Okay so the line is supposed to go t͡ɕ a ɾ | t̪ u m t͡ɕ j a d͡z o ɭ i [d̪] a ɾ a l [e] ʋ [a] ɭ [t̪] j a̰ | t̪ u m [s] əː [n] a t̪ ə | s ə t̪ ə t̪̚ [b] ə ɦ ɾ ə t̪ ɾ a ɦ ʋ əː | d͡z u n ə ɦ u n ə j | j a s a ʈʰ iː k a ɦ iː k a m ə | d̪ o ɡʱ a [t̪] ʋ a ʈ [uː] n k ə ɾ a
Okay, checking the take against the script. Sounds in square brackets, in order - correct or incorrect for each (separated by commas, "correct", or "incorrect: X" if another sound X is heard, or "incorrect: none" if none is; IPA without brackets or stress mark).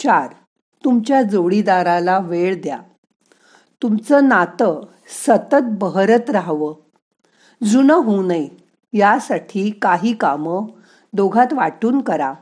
correct, incorrect: a, incorrect: e, incorrect: d̪, incorrect: t͡s, correct, correct, correct, correct